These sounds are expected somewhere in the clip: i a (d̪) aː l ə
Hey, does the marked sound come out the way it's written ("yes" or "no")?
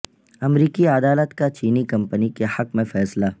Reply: yes